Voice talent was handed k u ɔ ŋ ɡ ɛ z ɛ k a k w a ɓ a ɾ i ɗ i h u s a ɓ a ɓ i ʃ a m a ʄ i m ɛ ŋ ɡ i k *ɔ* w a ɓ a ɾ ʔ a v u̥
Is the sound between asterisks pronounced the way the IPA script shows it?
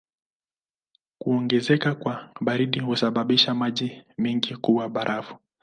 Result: no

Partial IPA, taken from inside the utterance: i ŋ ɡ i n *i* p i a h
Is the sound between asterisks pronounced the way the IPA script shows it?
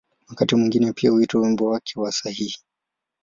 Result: no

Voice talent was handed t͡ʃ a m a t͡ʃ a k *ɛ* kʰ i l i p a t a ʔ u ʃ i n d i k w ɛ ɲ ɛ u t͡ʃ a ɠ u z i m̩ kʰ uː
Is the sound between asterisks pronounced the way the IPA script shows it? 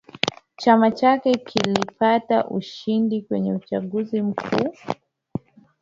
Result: yes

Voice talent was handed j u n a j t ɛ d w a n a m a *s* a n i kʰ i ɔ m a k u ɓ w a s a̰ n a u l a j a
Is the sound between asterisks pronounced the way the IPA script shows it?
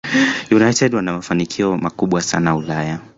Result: no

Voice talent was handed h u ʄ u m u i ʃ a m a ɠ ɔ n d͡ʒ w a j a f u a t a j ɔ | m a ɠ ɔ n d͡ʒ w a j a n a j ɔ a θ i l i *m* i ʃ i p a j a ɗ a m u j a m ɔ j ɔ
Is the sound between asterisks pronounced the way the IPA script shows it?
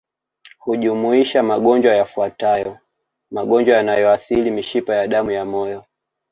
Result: yes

